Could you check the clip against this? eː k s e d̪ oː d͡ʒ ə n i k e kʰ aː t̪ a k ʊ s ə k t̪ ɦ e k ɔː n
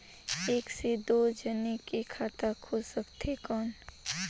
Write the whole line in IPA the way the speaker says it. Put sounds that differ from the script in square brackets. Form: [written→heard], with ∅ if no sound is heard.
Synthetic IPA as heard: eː k s e d̪ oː d͡ʒ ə n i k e kʰ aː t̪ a [k→kʰ] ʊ s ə k t̪ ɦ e k ɔː n